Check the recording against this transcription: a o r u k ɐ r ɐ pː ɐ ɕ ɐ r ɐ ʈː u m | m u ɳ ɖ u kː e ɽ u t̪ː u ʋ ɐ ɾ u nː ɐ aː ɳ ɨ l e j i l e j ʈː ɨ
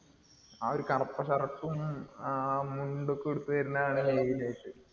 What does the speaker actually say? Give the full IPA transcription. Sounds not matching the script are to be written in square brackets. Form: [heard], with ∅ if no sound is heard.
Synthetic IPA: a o [ɾ] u k ɐ r ɐ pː ɐ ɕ ɐ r ɐ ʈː u m | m u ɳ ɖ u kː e ɽ u t̪ː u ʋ ɐ ɾ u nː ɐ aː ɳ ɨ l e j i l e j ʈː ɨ

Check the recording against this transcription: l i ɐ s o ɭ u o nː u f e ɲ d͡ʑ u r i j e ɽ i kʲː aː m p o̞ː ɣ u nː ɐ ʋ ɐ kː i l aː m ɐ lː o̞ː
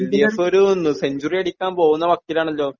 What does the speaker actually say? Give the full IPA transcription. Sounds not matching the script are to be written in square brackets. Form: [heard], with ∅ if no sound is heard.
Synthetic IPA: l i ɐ s o [ɾ] u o nː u [s] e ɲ d͡ʑ u r i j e ɽ i kʲː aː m p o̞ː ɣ u nː ɐ ʋ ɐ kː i l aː [ɳ] ɐ lː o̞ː

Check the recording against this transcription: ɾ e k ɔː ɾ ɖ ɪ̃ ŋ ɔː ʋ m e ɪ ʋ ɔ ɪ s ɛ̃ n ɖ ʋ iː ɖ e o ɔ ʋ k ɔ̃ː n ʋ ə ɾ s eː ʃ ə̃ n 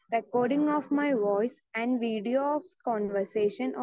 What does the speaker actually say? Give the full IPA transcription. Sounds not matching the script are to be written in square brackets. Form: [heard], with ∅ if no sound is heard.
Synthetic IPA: ɾ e k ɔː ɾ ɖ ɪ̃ ŋ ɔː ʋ m [a] ɪ ʋ ɔ ɪ s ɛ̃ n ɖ ʋ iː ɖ [i] o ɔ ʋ k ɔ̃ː n ʋ ə ɾ s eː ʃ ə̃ n

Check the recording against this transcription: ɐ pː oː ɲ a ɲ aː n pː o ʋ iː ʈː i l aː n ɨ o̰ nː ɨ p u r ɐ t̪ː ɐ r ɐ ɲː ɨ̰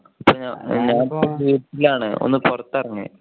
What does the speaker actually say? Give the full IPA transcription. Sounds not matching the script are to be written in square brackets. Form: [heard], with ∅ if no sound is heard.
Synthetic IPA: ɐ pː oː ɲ a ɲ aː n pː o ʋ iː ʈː i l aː [ɳ] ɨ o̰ nː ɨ p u r ɐ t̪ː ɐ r ɐ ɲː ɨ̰

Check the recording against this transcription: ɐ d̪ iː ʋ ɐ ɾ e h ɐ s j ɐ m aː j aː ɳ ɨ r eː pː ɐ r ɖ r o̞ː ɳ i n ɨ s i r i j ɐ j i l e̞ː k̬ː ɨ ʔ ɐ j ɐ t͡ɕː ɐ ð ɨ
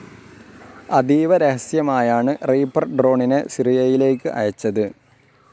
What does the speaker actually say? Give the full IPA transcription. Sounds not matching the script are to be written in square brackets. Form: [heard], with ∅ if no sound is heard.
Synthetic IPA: ɐ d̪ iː ʋ ɐ ɾ e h ɐ s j ɐ m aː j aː ɳ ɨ r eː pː ɐ r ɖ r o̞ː ɳ i n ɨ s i r i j ɐ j i l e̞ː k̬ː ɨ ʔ ɐ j ɐ t͡ɕː ɐ ð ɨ

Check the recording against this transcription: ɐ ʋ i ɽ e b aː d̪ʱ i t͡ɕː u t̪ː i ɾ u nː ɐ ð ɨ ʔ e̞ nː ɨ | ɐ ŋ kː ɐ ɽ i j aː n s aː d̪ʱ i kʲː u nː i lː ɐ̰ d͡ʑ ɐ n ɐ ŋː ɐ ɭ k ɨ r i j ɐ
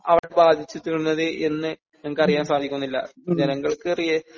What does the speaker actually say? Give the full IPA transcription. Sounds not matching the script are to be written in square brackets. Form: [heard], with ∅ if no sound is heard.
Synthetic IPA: ɐ ʋ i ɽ e b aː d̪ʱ i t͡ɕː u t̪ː i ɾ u nː ɐ ð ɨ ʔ e̞ nː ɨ | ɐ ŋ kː ɐ [r] i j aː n s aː d̪ʱ i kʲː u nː i lː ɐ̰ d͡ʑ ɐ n ɐ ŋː ɐ ɭ k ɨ r i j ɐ

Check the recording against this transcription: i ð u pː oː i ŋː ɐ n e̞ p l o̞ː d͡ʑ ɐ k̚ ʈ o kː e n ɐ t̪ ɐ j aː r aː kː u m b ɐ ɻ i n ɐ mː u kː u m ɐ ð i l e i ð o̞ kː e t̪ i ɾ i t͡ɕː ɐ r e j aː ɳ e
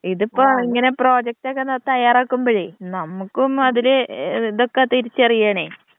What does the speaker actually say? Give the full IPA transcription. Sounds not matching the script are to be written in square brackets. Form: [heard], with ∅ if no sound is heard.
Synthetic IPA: i ð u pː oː i ŋː ɐ n e̞ p [r] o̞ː d͡ʑ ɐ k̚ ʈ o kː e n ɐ t̪ ɐ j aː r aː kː u m b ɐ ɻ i n ɐ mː u kː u m ɐ ð i l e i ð o̞ kː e t̪ i ɾ i t͡ɕː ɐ r [i] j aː ɳ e

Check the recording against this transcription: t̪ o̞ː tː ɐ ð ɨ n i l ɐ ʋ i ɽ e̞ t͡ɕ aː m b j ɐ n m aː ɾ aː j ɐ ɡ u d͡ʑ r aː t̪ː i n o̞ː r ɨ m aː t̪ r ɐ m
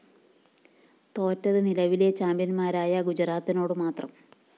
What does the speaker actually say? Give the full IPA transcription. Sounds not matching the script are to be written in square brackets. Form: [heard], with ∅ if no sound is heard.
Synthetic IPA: t̪ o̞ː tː ɐ ð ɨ n i l ɐ ʋ i [l] e̞ t͡ɕ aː m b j ɐ n m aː ɾ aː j ɐ ɡ u d͡ʑ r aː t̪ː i n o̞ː [ɽ] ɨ m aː t̪ r ɐ m

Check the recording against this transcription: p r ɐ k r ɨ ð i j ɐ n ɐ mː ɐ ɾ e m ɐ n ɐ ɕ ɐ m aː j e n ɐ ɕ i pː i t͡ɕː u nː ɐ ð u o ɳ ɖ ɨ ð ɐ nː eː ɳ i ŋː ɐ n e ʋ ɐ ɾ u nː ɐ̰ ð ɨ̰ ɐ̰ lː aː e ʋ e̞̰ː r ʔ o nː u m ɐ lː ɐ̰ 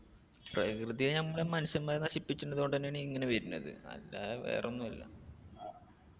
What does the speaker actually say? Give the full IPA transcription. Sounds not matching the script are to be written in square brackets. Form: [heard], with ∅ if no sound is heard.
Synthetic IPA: p r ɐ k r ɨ ð i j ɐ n ɐ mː ɐ [ɭ] e m ɐ n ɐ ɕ ɐ m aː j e n ɐ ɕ i pː i t͡ɕː u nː ɐ ð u o ɳ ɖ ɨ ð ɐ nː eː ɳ i ŋː ɐ n e ʋ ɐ ɾ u nː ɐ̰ ð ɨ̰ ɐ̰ lː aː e ʋ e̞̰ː r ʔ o nː u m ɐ lː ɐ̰

